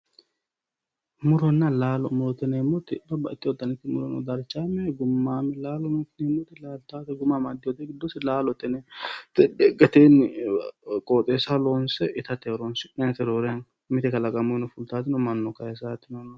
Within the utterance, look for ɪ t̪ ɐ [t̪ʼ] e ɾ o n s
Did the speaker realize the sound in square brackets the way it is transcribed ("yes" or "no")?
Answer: no